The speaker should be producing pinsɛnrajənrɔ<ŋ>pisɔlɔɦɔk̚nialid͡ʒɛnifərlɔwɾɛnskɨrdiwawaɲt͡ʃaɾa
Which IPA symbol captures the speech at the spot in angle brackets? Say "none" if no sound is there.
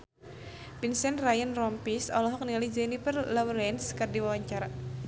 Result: m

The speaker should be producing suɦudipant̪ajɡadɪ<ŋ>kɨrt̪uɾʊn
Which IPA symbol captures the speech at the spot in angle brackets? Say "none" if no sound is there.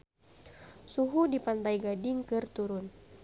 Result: ŋ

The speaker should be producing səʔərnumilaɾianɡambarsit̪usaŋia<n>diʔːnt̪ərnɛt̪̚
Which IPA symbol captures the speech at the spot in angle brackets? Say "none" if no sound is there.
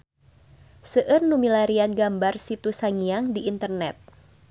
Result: ŋ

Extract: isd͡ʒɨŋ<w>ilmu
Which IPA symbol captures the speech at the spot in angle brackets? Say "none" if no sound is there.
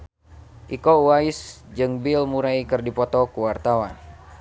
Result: b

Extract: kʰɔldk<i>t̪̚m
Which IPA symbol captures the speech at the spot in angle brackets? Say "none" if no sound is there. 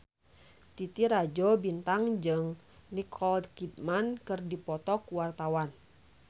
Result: i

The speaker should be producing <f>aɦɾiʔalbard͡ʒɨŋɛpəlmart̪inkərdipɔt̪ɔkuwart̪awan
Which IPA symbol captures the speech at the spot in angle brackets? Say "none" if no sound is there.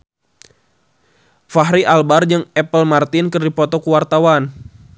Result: f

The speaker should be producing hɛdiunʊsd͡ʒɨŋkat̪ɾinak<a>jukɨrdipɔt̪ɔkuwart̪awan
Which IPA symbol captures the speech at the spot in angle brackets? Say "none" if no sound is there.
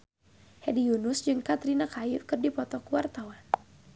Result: a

